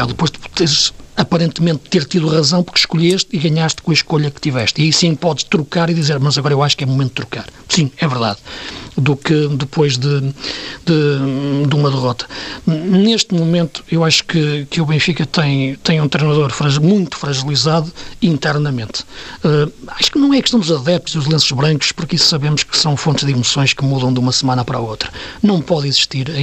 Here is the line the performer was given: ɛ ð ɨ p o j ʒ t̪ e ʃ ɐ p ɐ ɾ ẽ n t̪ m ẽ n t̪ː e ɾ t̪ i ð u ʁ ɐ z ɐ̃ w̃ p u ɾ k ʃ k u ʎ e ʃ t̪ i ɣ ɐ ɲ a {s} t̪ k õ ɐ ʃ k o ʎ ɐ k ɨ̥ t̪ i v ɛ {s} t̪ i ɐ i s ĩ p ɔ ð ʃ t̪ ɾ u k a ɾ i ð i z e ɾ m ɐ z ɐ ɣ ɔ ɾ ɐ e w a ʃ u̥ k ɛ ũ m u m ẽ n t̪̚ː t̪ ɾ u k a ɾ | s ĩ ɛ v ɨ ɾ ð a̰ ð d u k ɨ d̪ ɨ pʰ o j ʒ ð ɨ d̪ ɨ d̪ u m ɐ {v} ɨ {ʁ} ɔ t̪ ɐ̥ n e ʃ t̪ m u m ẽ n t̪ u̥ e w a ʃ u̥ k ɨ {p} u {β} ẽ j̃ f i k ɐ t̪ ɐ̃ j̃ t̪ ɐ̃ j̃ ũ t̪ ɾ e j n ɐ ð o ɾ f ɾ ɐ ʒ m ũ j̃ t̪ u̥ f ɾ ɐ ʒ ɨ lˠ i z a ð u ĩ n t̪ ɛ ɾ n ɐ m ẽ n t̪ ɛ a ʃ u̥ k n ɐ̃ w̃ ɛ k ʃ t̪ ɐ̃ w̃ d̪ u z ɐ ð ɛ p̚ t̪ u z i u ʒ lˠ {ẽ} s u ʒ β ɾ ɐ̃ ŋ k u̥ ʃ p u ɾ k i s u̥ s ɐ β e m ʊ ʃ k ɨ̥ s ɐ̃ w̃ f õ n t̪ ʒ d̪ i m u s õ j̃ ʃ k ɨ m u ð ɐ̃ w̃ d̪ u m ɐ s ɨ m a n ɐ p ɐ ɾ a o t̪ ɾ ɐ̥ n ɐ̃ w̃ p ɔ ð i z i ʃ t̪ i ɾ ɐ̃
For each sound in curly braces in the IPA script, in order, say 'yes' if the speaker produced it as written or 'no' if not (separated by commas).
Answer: no, no, no, yes, no, yes, yes